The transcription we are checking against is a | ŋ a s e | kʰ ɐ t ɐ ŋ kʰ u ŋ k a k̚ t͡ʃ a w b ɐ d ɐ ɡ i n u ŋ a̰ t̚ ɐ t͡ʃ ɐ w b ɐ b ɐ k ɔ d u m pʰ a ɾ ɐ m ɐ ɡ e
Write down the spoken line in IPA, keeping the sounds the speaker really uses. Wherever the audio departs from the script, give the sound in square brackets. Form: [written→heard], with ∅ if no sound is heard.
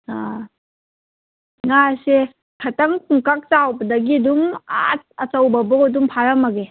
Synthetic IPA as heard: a | ŋ a s e | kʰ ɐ t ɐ ŋ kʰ u ŋ k a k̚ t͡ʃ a w b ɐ d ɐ ɡ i [n→d] u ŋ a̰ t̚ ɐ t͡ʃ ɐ w b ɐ b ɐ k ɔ d u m pʰ a ɾ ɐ m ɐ ɡ e